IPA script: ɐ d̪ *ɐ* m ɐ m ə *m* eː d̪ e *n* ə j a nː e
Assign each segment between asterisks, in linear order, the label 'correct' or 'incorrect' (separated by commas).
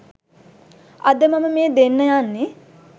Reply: incorrect, correct, incorrect